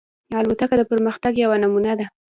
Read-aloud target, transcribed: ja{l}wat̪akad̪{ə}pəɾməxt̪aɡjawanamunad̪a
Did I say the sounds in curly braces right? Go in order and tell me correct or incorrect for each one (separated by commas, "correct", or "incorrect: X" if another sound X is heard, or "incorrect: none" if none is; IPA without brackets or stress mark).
correct, correct